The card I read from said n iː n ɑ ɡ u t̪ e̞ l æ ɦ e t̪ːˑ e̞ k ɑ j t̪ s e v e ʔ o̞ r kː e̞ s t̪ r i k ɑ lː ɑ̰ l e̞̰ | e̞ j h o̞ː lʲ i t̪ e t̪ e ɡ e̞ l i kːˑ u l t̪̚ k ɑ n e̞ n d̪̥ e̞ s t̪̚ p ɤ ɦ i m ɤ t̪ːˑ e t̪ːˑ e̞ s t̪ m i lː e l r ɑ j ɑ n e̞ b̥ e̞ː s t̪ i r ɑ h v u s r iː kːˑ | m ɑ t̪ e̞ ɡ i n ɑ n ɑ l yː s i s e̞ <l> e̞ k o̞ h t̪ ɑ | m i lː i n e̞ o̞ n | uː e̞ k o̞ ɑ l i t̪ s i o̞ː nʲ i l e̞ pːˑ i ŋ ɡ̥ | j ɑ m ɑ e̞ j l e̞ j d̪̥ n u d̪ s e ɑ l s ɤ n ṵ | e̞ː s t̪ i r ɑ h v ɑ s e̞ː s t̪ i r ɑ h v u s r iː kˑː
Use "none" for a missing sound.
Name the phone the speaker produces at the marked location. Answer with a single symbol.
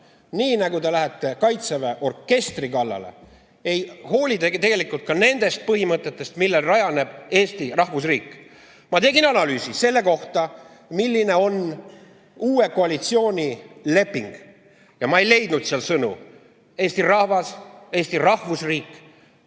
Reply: lː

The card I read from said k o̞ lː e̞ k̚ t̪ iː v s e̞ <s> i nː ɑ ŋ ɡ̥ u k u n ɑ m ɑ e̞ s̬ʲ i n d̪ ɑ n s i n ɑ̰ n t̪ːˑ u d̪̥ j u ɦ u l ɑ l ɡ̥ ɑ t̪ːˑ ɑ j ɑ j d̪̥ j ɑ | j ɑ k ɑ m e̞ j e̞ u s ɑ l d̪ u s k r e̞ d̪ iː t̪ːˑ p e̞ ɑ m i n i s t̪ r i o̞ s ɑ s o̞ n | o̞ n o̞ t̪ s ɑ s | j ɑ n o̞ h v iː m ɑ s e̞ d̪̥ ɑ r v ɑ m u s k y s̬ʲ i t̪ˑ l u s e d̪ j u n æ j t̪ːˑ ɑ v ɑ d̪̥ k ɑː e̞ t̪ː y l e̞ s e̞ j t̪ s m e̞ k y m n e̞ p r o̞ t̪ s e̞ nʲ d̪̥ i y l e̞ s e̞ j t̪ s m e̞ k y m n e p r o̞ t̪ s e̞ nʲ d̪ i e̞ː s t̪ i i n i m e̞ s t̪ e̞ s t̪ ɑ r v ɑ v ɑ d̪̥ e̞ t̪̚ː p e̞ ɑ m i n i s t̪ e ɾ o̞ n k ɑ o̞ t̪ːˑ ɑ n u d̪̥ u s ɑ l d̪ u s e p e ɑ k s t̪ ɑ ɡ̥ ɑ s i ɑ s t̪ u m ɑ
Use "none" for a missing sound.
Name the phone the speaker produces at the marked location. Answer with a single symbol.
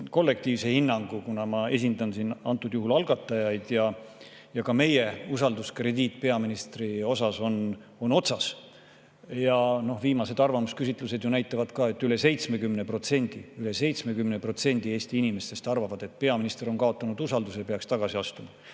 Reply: h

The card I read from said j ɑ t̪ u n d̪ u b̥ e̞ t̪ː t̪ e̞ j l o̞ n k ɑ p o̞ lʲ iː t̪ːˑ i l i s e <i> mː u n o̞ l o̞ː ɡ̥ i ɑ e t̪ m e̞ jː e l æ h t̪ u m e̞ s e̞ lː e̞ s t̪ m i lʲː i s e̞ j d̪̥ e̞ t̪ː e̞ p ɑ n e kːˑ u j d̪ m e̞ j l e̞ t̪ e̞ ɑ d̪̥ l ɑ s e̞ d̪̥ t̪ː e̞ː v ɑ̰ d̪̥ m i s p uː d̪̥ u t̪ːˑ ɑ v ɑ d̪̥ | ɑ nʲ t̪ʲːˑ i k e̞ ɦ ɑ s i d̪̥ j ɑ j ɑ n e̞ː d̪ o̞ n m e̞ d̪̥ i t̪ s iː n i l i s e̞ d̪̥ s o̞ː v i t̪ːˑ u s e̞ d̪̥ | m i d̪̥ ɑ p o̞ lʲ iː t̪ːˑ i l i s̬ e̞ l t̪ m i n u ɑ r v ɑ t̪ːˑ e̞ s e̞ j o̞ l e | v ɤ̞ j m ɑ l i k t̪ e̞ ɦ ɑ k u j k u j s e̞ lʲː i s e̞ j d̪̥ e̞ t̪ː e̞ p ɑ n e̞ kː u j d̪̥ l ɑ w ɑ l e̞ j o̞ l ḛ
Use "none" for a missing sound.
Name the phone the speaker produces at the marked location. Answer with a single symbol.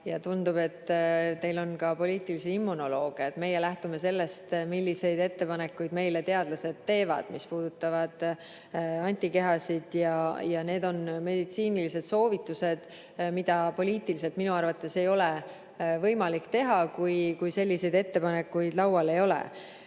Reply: i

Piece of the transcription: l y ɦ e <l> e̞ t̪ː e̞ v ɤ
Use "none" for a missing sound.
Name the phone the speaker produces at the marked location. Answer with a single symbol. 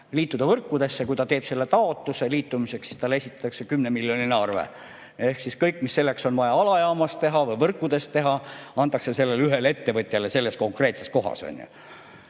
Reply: l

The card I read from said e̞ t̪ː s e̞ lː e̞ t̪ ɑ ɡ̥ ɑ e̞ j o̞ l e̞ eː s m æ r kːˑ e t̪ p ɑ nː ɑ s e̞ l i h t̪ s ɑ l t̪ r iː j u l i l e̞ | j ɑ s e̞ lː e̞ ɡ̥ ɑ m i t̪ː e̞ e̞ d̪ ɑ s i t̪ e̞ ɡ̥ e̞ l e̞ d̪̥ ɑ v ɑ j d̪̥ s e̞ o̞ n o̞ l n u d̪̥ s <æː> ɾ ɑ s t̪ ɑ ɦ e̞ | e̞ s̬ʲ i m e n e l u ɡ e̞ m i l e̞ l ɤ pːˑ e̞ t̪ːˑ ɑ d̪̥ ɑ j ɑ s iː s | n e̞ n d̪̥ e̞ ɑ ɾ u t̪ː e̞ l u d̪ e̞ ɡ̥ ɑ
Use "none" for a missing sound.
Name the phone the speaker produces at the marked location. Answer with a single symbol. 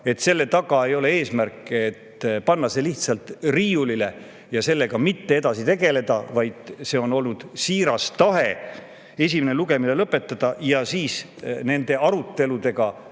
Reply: iː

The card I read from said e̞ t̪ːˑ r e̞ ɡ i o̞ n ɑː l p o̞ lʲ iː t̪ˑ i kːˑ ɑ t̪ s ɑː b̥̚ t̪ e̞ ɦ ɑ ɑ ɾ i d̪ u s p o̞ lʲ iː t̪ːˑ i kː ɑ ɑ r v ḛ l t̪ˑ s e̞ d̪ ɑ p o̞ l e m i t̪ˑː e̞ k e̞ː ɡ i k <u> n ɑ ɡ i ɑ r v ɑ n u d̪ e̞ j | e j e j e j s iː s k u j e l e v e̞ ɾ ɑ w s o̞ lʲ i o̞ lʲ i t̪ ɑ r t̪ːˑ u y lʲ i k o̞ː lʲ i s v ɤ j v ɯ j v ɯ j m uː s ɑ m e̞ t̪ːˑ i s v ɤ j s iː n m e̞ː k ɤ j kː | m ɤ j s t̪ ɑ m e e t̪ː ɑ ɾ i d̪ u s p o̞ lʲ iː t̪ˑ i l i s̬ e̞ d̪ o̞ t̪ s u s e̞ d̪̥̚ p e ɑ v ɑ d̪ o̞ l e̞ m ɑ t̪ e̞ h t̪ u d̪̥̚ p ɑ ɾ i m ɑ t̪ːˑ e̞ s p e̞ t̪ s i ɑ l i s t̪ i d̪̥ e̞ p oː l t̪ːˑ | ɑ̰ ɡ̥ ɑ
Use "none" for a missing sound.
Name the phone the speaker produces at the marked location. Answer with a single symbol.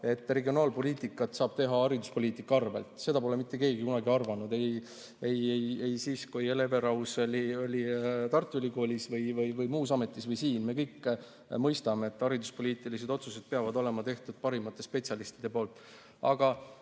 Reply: u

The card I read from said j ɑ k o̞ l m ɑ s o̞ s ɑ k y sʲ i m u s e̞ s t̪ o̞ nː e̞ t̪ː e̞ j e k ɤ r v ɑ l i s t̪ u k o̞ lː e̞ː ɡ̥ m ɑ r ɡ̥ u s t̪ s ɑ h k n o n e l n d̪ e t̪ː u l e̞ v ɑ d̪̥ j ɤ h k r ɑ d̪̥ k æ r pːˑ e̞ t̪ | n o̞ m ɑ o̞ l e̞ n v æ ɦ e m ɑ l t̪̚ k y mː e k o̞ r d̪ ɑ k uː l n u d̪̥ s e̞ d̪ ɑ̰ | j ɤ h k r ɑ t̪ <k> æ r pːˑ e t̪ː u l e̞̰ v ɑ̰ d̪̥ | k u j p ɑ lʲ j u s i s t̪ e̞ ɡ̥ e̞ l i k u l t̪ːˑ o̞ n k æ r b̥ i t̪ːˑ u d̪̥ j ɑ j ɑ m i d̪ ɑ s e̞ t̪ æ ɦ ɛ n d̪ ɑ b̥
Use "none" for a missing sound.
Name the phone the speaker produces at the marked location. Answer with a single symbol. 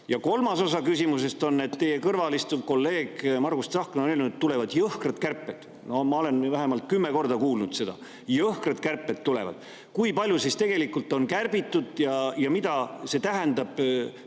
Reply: k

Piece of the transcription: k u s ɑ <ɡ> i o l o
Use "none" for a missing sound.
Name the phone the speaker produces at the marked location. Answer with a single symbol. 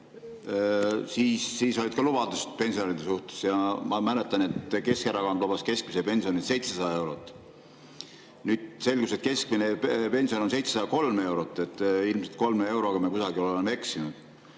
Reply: ɡ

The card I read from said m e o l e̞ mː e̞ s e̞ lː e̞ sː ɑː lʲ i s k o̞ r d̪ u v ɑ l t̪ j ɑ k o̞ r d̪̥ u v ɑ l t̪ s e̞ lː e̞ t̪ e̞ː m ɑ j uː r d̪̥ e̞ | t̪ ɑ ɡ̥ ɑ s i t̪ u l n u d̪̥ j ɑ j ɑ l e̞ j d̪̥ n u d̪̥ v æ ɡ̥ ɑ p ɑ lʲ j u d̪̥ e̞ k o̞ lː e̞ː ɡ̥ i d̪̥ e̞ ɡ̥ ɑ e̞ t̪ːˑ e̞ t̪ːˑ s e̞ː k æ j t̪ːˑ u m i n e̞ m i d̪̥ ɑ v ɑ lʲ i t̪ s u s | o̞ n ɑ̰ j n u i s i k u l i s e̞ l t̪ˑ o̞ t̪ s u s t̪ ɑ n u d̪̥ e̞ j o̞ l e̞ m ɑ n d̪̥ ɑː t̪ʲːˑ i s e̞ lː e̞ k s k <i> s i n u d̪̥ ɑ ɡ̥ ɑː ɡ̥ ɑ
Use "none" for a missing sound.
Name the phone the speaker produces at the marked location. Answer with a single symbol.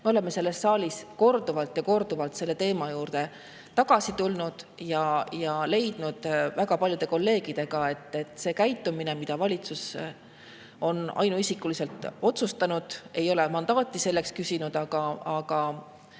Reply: y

